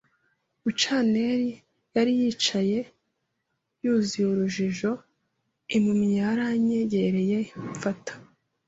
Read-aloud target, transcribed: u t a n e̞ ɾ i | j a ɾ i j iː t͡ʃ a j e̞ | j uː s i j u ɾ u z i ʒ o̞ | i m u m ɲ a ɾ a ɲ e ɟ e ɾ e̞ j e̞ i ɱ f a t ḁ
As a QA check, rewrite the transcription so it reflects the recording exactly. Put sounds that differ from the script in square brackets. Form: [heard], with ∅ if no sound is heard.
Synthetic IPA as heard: u [t͡ʃ] a n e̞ ɾ i | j a ɾ i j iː t͡ʃ a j e̞ | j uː [z] i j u ɾ u [ʒ] i ʒ o̞ | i m u m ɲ a ɾ a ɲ e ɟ e ɾ e̞ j e̞ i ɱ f a t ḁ